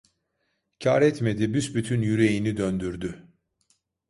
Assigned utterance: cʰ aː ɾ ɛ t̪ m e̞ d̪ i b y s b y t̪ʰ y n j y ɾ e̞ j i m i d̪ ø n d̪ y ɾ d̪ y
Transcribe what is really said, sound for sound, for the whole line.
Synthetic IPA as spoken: cʰ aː ɾ ɛ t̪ m e̞ d̪ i b y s b y t̪ʰ y n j y ɾ e̞ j i n i d̪ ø n d̪ y ɾ d̪ y